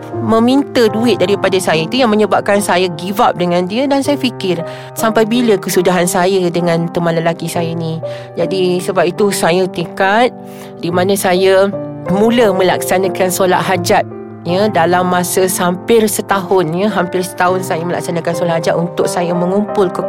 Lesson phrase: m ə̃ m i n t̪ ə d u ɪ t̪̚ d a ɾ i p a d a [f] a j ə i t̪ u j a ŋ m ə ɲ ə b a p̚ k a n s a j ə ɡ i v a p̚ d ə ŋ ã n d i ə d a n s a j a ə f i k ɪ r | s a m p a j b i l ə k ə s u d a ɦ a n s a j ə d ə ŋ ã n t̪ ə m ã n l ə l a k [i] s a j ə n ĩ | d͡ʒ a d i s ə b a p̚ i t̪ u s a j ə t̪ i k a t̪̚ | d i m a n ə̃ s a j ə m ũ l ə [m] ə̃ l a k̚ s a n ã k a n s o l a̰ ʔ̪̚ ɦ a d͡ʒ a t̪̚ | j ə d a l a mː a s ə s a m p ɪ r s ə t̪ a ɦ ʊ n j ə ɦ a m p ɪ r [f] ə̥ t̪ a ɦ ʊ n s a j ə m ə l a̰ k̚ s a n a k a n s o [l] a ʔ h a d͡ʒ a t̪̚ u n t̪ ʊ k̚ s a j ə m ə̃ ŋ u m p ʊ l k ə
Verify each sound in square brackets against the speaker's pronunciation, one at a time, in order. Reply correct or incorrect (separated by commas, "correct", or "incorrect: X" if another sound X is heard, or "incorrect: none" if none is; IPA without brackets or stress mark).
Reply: incorrect: s, correct, correct, incorrect: s, correct